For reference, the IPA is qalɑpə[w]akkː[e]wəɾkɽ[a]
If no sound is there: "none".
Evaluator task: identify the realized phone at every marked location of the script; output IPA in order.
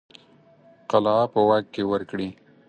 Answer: w, e, i

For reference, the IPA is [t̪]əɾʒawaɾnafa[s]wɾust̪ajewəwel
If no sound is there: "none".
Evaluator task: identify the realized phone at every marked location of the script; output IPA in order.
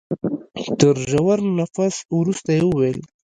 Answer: t̪, s

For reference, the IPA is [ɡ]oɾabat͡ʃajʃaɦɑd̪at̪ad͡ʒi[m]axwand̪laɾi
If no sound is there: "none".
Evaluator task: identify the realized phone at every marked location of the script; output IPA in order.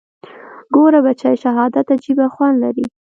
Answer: ɡ, b

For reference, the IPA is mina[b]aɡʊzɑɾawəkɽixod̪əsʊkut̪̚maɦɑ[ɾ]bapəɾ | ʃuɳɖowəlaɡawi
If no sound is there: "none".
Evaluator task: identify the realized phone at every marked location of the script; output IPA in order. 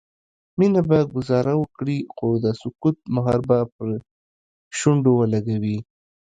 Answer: b, ɾ

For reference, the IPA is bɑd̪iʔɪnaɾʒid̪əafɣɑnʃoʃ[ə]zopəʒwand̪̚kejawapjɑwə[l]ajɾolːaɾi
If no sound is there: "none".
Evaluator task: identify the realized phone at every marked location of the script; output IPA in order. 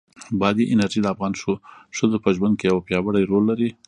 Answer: ə, ɽ

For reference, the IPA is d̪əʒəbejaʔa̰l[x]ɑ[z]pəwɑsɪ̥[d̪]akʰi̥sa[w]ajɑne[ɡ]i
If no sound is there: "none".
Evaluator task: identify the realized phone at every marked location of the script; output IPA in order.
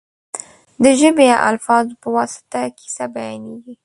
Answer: f, z, t̪, b, ɡ

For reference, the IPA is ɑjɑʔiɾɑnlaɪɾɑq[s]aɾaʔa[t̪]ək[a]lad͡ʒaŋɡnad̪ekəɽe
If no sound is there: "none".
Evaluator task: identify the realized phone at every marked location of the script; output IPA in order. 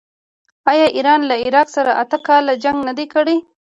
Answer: s, t̪, ɑ

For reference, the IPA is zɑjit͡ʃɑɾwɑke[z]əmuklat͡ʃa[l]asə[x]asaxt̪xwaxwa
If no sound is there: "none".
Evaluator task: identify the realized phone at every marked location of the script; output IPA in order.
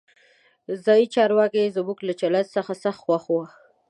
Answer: z, l, x

